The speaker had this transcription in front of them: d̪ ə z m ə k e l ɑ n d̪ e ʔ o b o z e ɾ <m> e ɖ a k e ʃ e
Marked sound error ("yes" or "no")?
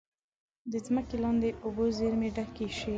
no